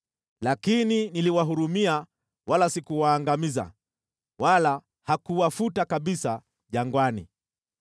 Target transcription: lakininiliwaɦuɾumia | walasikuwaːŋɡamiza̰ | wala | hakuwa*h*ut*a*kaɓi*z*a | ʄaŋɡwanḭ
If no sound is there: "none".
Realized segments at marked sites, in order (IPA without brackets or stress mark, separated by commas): f, a, s